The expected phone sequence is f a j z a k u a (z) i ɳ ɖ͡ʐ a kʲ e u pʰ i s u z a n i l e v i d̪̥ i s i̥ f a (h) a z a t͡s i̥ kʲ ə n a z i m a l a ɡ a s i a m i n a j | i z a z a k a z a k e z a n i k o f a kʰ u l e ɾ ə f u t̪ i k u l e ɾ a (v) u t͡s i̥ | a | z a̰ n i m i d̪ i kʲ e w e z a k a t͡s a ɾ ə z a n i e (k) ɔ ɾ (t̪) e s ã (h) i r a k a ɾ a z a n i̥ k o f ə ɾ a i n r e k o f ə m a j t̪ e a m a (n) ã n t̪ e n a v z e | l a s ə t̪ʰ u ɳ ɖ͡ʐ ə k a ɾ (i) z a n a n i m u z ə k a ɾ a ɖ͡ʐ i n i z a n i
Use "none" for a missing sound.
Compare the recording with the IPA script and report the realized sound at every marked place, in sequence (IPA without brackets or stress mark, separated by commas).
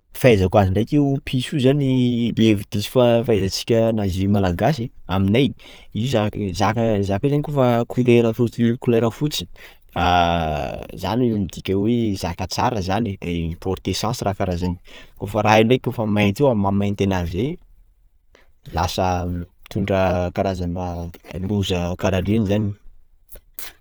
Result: z, f, f, p, t̪, s, m, a